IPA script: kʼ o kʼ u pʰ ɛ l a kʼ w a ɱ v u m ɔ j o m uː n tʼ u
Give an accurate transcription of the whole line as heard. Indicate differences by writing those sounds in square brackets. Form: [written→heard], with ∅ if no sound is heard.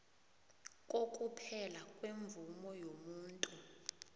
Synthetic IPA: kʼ o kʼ u pʰ ɛ l a kʼ w [a→e] ɱ v u m ɔ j o m uː n tʼ u